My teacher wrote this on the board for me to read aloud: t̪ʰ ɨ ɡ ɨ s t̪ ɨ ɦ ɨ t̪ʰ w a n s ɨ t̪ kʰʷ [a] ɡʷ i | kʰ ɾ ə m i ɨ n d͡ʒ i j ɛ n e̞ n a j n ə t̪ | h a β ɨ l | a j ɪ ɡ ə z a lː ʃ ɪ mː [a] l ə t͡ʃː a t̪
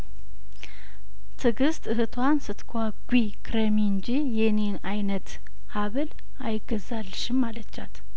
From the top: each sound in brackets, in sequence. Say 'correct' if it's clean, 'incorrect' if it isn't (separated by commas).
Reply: correct, correct